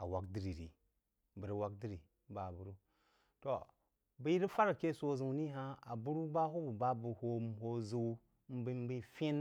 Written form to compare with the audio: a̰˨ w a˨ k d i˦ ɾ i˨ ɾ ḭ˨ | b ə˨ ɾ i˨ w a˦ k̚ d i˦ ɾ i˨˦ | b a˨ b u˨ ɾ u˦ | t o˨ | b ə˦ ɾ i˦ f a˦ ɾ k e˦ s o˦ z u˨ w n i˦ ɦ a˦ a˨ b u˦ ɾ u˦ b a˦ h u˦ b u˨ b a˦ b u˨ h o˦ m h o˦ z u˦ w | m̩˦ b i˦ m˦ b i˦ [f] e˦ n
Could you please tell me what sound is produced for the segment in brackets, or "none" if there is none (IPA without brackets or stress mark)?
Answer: f